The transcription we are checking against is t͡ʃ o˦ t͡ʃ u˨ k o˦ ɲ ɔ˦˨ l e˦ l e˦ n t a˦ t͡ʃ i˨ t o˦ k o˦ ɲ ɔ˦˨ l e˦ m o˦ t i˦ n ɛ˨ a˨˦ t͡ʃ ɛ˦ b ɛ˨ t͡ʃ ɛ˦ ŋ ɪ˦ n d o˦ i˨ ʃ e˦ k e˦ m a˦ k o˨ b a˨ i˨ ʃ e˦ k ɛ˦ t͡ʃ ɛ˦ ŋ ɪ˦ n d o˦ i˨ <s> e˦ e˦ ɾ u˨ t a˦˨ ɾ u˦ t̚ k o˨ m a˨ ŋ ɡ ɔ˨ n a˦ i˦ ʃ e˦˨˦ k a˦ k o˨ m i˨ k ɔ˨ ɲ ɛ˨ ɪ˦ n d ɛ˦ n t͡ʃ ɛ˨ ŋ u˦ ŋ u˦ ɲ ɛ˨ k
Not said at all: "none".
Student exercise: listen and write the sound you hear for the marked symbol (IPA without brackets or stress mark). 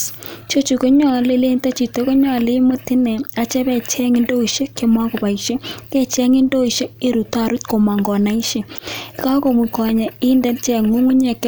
ʃ